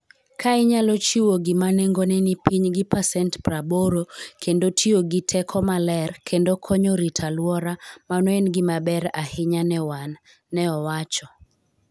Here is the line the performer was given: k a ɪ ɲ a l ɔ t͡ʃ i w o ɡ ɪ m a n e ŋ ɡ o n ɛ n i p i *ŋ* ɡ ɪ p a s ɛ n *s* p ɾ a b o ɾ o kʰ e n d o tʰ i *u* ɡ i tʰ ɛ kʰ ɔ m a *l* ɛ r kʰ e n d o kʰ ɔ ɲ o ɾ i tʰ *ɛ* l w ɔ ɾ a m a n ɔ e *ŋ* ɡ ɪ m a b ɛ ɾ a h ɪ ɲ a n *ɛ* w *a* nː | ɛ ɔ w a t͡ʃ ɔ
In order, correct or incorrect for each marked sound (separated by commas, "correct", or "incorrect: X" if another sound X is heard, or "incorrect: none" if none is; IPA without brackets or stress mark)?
incorrect: ɲ, incorrect: t, incorrect: o, correct, incorrect: a, incorrect: n, correct, correct